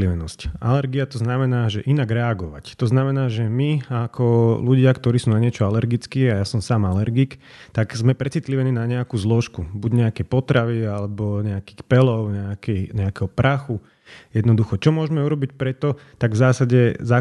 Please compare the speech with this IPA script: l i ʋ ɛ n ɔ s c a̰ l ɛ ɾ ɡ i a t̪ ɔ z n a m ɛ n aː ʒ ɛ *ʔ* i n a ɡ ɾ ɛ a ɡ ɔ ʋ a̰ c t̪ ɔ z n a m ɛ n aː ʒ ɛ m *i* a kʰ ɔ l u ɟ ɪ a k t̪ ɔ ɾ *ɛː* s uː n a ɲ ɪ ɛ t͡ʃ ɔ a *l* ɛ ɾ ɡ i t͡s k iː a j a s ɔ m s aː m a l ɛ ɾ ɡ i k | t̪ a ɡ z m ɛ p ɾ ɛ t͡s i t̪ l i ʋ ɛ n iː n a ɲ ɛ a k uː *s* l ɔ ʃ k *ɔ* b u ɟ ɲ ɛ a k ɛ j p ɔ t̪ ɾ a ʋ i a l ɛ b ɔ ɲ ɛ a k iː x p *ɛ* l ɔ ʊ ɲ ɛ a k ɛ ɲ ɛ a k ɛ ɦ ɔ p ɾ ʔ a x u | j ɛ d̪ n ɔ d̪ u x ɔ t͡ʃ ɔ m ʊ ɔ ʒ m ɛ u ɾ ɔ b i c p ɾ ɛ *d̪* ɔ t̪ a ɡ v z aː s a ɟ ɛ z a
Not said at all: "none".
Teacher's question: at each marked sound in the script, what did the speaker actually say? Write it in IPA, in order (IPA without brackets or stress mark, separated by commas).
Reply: ʔ, i, iː, l, z, u, ɛ, t̪